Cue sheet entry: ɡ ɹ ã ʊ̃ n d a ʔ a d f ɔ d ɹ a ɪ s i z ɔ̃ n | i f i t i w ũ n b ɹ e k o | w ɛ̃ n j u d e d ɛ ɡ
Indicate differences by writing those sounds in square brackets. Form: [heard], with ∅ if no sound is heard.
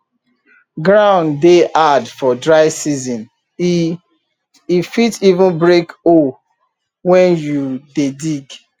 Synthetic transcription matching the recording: ɡ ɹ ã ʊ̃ n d [e] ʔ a d f ɔ d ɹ a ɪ s i z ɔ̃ n | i f i t i [v] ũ n b ɹ e k o | w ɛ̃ n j u d e d [i] ɡ